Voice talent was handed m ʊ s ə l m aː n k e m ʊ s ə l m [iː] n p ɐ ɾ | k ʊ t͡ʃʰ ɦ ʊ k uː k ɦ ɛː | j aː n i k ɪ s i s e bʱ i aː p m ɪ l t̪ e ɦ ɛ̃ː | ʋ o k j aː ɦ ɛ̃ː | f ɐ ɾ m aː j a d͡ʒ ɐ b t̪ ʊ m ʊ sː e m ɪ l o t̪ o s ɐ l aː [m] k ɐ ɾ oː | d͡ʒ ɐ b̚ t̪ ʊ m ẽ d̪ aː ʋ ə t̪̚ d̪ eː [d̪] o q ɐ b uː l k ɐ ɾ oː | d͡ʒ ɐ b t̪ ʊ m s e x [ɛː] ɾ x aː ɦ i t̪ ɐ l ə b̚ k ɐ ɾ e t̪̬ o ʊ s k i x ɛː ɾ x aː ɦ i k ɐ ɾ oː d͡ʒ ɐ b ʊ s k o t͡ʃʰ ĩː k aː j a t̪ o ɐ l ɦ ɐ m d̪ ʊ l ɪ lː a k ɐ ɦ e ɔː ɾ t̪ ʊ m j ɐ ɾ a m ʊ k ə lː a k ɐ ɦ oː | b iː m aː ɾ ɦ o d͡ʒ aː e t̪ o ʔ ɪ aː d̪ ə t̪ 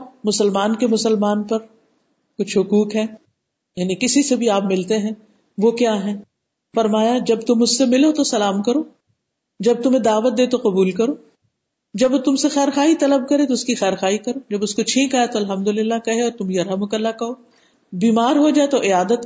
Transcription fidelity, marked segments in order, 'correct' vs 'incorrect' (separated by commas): incorrect, correct, incorrect, correct